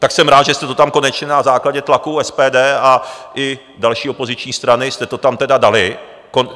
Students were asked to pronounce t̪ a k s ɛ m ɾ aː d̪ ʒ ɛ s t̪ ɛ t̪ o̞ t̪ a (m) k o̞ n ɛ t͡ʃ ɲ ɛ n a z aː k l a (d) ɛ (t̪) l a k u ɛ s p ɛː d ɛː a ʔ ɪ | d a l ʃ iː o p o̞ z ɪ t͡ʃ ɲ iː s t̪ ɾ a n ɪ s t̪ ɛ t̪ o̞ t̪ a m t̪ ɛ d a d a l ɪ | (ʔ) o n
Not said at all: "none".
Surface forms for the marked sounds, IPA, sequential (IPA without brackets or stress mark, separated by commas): m, ɟ, t̪, k